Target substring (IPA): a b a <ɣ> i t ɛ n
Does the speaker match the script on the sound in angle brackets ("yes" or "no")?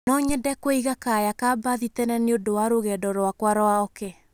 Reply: no